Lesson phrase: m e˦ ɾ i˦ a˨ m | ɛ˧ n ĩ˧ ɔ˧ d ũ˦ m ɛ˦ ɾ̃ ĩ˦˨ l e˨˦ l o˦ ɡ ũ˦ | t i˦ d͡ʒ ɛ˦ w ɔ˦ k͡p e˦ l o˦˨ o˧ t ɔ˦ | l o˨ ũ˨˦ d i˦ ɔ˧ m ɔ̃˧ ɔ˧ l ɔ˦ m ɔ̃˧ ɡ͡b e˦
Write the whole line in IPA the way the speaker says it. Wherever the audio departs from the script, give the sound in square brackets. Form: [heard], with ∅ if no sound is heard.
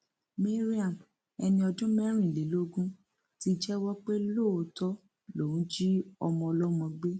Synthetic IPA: m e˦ ɾ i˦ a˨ m | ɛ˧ n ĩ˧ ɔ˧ d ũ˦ m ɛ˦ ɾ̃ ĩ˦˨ l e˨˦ l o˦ ɡ ũ˦ | t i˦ d͡ʒ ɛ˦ w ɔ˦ k͡p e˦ l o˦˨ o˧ t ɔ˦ | l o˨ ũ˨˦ [d͡ʒ] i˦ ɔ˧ m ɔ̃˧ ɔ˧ l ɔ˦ m ɔ̃˧ ɡ͡b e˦